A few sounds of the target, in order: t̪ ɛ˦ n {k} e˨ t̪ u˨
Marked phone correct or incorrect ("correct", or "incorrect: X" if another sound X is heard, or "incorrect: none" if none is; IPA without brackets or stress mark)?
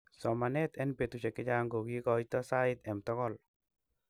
incorrect: p